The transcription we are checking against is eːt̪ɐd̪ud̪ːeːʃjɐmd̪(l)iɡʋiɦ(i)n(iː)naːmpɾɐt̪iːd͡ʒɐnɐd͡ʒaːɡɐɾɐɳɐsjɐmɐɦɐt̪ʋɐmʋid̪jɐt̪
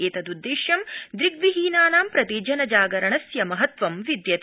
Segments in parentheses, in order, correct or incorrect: incorrect: ɾ, incorrect: iː, incorrect: aː

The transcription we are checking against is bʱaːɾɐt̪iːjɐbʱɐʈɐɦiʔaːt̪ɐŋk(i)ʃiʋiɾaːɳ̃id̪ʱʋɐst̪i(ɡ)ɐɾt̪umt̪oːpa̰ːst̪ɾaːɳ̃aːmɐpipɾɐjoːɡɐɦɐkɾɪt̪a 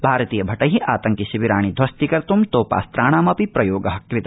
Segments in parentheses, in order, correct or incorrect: correct, incorrect: k

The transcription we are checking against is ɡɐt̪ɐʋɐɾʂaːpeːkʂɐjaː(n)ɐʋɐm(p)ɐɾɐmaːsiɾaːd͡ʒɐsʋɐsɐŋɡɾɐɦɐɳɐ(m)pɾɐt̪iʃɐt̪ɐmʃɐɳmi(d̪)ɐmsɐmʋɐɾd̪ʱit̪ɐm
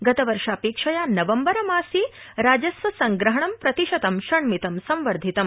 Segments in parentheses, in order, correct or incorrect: correct, incorrect: b, correct, incorrect: t̪

